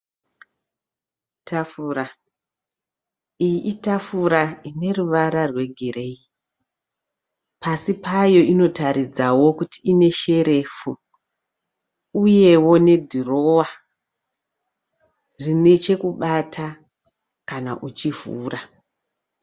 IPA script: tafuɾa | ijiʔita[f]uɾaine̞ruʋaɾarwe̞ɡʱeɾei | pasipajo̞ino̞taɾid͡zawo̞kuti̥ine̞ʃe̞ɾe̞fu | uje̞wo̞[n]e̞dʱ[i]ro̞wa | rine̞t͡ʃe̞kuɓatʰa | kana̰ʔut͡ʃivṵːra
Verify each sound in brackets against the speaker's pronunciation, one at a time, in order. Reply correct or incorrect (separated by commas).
correct, correct, correct